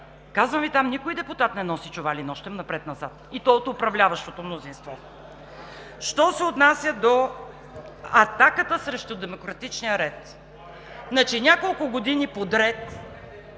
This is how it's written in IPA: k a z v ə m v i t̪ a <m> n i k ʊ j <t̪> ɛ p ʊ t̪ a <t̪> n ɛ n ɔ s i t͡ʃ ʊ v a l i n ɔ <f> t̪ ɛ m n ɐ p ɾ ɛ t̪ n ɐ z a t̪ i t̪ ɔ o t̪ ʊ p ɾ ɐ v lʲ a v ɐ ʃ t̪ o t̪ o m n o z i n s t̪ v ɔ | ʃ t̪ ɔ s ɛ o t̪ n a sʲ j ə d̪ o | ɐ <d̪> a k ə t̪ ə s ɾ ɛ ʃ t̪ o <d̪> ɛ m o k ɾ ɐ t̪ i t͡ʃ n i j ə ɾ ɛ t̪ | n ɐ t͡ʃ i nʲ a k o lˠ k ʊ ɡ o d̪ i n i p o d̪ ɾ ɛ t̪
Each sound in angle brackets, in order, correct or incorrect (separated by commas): correct, incorrect, correct, incorrect, incorrect, correct